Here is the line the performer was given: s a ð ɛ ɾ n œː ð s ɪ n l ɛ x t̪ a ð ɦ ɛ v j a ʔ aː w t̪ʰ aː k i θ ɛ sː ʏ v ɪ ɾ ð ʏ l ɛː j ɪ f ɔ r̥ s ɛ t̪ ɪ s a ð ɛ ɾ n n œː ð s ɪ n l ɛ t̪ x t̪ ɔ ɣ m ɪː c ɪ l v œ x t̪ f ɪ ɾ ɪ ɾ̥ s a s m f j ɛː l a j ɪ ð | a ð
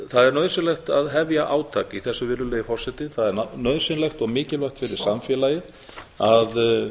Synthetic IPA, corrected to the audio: θ a ð ɛ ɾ n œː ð s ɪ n l ɛ x t̪ a ð ɦ ɛ v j a ʔ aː w t̪ʰ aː k i θ ɛ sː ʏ v ɪ ɾ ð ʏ l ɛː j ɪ f ɔ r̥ s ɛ t̪ ɪ θ a ð ɛ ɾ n n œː ð s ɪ n l ɛ x t̪ ɔ ɣ m ɪː c ɪ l v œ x t̪ f ɪ ɾ ɪ ɾ̥ s a m f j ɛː l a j ɪ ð | a ð